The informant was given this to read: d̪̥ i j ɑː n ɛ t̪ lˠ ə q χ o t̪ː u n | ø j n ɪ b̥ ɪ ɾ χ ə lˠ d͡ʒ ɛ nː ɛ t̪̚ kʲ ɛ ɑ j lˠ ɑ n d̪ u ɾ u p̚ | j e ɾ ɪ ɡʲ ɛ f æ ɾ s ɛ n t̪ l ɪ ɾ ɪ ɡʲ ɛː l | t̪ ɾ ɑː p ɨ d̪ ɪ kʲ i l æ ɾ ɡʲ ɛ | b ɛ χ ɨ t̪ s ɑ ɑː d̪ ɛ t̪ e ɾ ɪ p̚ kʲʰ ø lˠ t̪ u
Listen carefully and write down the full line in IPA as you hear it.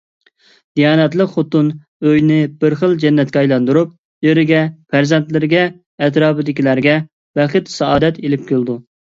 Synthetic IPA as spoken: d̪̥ i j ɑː n ɛ t̪ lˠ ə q χ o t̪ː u n | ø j n ɪ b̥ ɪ ɾ χ ə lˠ d͡ʒ ɛ nː ɛ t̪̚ kʲ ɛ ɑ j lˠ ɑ n d̪ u ɾ u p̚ | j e ɾ ɪ ɡʲ ɛ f æ ɾ z ɛ n t̪ l ɪ ɾ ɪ ɡʲ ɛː | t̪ ɾ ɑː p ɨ d̪ ɪ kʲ i l æ ɾ ɡʲ ɛ | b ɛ χ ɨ t̪ s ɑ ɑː d̪ ɛ t̪ e l ɪ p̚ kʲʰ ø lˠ d̪ u